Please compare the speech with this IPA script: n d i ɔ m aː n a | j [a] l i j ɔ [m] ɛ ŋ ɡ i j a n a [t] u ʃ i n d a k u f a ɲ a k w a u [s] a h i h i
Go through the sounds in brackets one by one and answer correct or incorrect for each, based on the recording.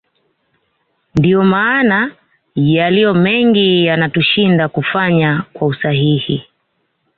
correct, correct, correct, correct

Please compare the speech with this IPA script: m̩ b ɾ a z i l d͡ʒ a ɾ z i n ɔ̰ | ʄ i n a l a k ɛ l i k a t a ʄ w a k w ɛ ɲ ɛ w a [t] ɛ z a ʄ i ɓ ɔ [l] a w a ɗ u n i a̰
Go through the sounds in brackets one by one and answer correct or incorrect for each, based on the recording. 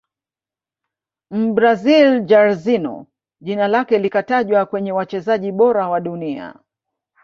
incorrect, incorrect

